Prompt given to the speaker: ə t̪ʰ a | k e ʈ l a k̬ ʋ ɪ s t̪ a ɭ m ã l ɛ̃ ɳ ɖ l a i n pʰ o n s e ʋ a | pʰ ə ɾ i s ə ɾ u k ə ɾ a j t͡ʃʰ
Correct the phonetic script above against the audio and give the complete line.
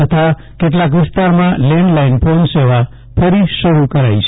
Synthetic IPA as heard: ə t̪ʰ a | k e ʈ l a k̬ ʋ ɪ s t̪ a ɾ m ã l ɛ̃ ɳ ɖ l a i n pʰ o n s e ʋ a | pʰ ə ɾ i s ə ɾ u k ə ɾ a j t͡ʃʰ

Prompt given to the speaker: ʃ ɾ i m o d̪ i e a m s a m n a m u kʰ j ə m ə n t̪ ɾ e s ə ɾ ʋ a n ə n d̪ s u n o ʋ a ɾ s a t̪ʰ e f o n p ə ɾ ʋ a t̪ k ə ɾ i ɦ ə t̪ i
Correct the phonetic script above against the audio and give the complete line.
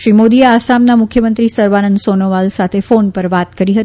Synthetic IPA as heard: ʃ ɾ i m o d̪ i e a s a m n a m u kʰ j ə m ə n t̪ ɾ i s ə ɾ ʋ a n ə n d̪ s o n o ʋ a l s a t̪ʰ e f o n p ə ɾ ʋ a t̪ k ə ɾ i ɦ ə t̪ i

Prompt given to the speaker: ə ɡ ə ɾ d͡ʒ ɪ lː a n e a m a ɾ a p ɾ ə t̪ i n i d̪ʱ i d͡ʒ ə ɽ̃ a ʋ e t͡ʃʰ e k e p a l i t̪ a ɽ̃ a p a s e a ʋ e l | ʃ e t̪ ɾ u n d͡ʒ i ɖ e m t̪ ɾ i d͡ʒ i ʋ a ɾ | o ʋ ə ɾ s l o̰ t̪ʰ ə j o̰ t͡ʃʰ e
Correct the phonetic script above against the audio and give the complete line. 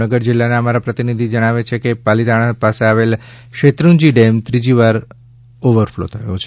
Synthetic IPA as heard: ə ɡ ə ɾ d͡ʒ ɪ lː a n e ə m a ɾ a p ɾ ə t̪ i n i d̪ʱ i d͡ʒ ə ɽ̃ a ʋ e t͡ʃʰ e k e p a l i t̪ a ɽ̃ a p a s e a ʋ e l | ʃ e t̪ ɾ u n d͡ʒ i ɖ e m t̪ ɾ i d͡ʒ i ʋ a ɾ | o ʋ ə ɾ f l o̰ t̪ʰ ə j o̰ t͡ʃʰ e

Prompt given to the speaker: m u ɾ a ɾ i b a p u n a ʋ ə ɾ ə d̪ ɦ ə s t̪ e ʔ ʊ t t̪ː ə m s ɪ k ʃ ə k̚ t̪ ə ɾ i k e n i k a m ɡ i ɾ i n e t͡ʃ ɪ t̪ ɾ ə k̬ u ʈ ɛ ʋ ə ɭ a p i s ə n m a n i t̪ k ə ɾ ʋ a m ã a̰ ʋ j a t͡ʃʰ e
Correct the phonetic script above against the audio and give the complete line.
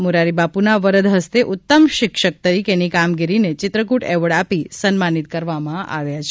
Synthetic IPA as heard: m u ɾ a ɾ i b a p u n a ʋ ə ɾ ə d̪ ɦ ə s t̪ e ʔ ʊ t t̪ː ə m ʃ ɪ k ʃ ə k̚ t̪ ə ɾ i k e n i k a m ɡ i ɾ i n e t͡ʃ ɪ t̪ ɾ ə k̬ u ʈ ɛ ʋ ə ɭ a p i s ə n m a n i t̪ k ə ɾ ʋ a m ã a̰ ʋ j a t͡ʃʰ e

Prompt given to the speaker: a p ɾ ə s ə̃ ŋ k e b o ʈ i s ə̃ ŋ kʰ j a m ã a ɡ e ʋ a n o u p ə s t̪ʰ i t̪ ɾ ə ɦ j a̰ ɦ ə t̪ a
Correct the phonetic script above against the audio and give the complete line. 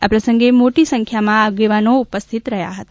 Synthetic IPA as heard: a p ɾ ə s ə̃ ŋ ɡ e m o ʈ i s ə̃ ŋ kʰ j a m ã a ɡ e ʋ a n o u p ə s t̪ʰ i t̪ ɾ ə ɦ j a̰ ɦ ə t̪ a

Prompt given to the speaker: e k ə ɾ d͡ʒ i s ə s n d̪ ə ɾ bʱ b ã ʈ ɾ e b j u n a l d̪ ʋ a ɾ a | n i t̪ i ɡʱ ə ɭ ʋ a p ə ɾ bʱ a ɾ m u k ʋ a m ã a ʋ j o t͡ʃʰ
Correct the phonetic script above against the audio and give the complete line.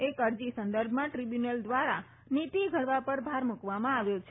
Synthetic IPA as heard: e k ə ɾ d͡ʒ i s ə n d̪ ə ɾ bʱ m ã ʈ ɾ i b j u n ə l d̪ ʋ a ɾ a | n i t̪ i ɡʱ ə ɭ ʋ a p ə ɾ bʱ a ɾ m u k ʋ a m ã a ʋ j o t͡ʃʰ

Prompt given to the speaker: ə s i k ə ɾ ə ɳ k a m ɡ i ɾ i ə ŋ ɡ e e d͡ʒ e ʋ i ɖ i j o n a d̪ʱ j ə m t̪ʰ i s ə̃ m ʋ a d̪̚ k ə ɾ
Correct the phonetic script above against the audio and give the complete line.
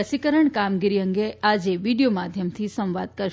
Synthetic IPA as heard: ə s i k ə ɾ ə ɳ k a m ɡ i ɾ i ə ŋ ɡ e a d͡ʒ e ʋ i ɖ i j o m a d̪ʱ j ə m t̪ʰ i s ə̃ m ʋ a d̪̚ k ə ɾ

